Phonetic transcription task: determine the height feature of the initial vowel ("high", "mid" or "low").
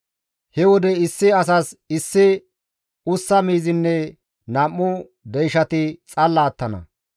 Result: mid